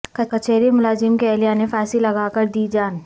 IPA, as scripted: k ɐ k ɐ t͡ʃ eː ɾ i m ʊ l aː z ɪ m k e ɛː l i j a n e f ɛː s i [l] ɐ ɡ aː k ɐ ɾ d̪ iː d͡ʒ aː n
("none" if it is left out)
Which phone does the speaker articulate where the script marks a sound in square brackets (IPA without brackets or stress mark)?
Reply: l